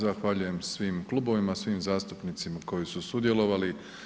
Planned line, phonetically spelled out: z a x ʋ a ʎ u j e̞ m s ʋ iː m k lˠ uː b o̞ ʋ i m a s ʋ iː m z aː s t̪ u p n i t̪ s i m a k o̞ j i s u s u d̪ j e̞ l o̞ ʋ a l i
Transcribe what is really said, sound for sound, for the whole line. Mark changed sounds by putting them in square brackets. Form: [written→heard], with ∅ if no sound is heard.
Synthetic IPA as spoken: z a x ʋ a ʎ u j e̞ m s ʋ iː m k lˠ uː b o̞ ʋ i m a s ʋ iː m z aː s t̪ u p n i t̪ s i m a k o̞ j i s u s u d̪ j e̞ l o̞ ʋ a l i